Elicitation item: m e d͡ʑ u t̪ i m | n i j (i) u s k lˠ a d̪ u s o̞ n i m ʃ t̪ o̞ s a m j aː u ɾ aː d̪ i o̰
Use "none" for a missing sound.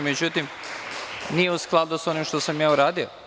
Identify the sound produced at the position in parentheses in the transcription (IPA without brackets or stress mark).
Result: e